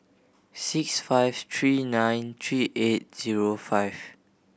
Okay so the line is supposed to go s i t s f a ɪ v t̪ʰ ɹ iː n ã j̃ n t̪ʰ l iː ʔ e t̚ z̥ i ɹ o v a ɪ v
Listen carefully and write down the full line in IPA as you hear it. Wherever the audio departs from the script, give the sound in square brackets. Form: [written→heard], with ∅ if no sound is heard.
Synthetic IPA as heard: s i [t→k] s f a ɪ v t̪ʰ ɹ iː n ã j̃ n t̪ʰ [l→ɹ] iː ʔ e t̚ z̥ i ɹ o [v→f] a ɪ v